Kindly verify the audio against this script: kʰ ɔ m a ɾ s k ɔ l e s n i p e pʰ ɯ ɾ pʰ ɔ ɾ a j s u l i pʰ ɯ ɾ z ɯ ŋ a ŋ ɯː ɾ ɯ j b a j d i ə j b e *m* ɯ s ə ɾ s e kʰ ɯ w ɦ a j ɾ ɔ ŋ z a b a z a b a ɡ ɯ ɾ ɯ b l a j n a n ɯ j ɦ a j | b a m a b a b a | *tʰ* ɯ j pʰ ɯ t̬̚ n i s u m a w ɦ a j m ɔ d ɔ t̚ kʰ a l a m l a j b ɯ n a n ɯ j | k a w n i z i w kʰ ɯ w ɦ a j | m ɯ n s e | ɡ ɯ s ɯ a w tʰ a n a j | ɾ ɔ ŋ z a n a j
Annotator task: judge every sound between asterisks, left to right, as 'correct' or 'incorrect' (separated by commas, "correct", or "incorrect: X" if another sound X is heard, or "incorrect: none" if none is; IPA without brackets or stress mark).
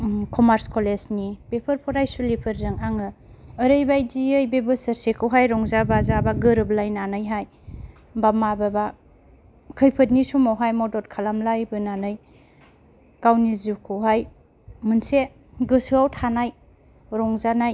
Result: incorrect: b, incorrect: kʰ